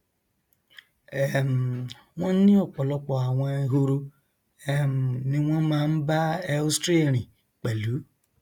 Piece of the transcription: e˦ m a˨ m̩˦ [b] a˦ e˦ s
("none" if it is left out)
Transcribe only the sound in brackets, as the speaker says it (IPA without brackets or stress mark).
b